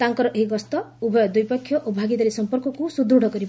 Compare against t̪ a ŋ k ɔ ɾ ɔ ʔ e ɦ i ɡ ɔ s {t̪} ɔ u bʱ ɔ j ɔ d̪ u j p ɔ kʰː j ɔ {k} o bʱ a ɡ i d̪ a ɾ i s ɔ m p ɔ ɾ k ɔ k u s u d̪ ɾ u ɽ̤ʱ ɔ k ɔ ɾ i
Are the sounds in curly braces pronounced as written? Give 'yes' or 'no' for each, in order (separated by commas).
yes, no